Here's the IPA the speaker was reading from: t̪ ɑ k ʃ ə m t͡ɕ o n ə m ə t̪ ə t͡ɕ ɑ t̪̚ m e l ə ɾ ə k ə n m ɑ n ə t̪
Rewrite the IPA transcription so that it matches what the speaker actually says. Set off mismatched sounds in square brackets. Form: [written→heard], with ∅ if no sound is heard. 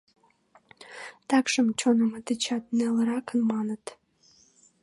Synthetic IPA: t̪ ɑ k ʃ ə m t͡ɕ o n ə m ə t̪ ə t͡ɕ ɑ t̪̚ [m→n] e l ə ɾ [ə→ɑ] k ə n m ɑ n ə t̪